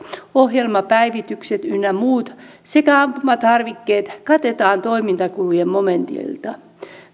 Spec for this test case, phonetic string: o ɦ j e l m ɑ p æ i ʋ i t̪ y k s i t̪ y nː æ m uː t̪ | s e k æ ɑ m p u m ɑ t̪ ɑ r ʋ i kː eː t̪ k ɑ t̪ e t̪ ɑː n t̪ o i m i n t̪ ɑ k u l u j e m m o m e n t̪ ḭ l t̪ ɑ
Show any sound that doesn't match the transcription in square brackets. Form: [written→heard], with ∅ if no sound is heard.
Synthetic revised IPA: o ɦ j e l m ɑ p æ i ʋ i t̪ y k s [i→e] t̪ y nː æ m uː t̪ | s e k æ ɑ m p u m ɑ t̪ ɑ r ʋ i kː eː t̪ k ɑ t̪ e t̪ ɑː n t̪ o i m i n t̪ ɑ k u l u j e m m o m e n t̪ ḭ l t̪ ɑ